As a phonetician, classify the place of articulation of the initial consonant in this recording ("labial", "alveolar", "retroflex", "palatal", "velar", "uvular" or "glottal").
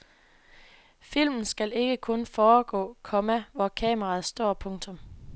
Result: labial